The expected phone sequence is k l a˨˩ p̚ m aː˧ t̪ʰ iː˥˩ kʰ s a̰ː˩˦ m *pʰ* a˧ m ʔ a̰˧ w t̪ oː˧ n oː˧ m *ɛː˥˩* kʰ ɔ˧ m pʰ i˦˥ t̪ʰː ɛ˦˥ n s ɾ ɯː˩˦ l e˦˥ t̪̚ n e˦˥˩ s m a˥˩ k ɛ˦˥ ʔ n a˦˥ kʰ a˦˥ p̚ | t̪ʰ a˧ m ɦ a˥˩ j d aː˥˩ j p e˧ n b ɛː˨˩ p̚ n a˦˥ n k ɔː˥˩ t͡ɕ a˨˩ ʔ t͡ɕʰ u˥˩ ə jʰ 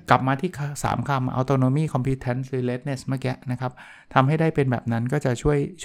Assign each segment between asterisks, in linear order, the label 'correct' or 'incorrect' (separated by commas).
incorrect, incorrect